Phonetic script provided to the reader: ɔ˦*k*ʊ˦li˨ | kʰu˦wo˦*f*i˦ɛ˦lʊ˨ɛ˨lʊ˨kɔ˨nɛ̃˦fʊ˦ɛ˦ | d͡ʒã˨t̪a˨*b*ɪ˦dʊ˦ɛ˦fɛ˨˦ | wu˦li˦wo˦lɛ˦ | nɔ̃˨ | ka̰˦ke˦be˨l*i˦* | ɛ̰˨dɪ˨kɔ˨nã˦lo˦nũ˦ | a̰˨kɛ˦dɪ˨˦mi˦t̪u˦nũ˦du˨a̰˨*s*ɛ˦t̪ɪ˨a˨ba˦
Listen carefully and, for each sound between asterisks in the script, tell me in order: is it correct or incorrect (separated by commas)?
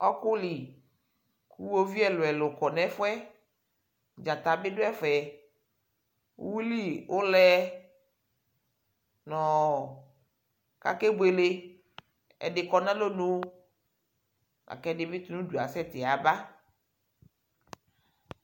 correct, incorrect, correct, incorrect, correct